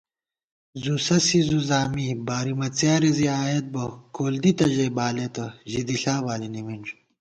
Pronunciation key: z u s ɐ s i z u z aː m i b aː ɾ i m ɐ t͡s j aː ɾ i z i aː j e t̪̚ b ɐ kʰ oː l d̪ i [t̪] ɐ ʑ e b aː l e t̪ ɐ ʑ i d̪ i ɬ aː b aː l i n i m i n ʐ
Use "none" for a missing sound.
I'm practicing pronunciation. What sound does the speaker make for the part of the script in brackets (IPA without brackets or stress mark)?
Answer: t̪